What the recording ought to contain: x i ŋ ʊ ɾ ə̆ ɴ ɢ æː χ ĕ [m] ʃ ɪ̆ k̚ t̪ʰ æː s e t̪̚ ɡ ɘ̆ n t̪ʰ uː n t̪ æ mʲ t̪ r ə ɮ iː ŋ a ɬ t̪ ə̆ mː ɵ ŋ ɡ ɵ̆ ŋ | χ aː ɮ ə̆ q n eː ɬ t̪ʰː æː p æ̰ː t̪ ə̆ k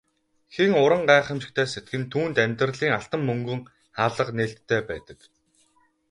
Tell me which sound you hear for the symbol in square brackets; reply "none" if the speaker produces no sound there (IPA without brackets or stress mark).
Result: m